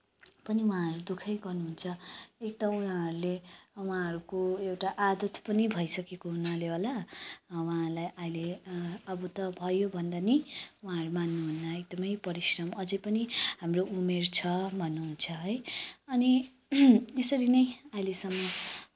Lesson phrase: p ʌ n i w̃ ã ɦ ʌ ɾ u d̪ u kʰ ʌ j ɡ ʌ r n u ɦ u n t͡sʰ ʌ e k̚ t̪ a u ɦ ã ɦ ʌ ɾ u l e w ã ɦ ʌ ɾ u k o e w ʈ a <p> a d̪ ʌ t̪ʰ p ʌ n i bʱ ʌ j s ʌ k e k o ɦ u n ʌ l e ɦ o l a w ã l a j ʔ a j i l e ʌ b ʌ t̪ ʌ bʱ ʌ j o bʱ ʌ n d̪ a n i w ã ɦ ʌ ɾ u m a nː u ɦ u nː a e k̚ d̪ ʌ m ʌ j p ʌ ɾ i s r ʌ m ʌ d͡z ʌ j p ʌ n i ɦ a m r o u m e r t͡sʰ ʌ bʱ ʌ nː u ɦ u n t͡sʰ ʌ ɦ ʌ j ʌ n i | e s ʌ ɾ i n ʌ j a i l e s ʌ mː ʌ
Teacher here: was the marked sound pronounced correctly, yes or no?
no